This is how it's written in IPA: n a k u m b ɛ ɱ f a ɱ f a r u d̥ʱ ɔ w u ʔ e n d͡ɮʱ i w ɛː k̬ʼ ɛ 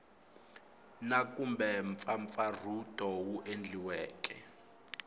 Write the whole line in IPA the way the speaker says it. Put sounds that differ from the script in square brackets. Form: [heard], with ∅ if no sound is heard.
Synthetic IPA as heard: n a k u m b ɛ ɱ f a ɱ f a r u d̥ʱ ɔ w u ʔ e n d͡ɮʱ i w ɛː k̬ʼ ɛ